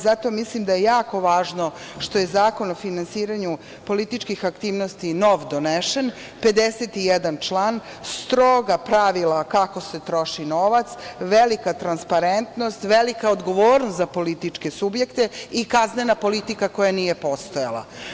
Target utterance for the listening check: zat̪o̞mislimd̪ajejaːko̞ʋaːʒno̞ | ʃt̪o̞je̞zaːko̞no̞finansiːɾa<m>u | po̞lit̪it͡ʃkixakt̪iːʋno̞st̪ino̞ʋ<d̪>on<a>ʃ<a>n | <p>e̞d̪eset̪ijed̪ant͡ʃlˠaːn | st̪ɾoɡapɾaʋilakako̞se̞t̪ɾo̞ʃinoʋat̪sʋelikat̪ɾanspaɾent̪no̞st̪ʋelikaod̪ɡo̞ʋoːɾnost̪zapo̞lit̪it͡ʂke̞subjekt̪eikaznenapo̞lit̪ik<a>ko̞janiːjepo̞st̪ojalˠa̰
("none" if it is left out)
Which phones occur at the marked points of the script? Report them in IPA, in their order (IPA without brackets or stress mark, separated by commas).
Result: ɲ, d̪, e, e, p, a